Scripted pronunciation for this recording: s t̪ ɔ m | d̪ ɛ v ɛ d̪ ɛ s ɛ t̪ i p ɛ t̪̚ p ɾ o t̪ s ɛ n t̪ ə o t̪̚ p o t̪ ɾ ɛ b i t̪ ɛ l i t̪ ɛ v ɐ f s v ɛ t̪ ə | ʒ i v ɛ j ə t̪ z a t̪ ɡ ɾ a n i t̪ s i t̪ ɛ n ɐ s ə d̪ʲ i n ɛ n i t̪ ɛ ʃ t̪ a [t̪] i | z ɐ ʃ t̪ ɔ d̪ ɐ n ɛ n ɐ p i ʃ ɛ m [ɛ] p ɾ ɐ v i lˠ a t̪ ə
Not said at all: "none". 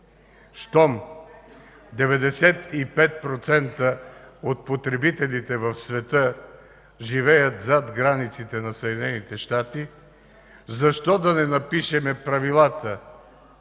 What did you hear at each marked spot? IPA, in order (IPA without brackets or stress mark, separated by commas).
t̪, ɛ